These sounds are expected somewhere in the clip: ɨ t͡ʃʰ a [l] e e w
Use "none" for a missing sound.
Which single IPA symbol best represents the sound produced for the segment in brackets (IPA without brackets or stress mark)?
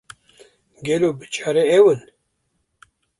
ɾ